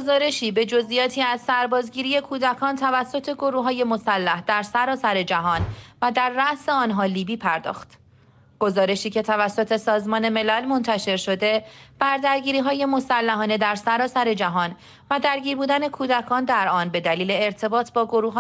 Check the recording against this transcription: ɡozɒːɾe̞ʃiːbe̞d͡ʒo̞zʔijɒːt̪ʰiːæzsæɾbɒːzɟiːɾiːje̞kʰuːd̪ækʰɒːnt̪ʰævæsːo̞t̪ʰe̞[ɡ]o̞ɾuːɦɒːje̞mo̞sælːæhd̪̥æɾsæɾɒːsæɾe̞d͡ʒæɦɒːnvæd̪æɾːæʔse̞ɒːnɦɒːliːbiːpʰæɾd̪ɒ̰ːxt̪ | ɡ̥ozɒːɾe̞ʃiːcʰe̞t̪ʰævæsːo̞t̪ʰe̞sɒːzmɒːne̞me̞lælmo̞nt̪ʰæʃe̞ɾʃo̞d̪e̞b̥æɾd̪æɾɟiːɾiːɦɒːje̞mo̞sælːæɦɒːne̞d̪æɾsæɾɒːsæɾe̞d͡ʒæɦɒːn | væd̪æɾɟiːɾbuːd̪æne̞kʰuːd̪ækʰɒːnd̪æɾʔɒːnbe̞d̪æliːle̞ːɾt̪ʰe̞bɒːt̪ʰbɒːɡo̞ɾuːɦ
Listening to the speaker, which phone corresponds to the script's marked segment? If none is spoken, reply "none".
ɡ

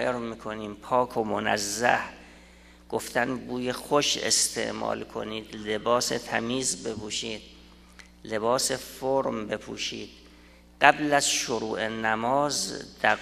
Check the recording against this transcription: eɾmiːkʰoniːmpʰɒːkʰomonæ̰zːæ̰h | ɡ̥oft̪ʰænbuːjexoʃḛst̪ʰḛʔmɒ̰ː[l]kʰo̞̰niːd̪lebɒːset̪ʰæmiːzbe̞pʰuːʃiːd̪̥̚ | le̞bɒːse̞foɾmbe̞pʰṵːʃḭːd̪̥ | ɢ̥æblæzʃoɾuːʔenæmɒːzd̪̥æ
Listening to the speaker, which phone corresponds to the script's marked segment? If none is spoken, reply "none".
l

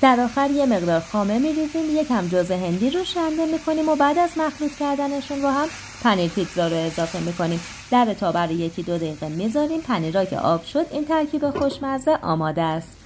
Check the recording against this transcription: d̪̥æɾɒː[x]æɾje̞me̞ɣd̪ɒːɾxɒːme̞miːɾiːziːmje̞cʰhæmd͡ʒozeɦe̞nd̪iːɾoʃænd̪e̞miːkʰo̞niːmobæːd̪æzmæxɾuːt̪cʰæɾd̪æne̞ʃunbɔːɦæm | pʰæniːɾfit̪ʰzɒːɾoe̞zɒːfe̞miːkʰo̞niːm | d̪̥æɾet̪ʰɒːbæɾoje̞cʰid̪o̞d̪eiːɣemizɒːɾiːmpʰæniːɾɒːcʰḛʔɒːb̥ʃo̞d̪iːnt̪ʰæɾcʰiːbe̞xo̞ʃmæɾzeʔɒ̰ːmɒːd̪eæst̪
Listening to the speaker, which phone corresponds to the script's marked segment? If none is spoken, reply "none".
x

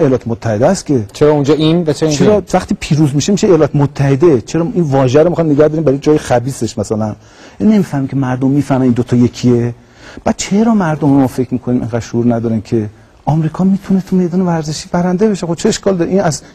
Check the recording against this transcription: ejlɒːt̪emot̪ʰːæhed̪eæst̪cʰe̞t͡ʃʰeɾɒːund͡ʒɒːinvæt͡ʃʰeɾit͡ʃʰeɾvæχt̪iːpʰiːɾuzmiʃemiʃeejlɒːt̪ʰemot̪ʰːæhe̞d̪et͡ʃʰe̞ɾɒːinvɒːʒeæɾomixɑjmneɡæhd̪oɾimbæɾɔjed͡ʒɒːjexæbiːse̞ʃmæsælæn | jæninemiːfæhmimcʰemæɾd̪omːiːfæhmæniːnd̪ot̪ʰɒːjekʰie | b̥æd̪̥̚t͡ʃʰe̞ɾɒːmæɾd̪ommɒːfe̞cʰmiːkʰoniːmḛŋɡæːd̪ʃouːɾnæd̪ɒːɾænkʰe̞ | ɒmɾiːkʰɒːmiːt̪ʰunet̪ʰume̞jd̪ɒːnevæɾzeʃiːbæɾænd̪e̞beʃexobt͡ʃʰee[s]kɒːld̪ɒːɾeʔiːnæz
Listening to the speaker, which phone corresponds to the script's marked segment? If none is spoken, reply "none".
ʃ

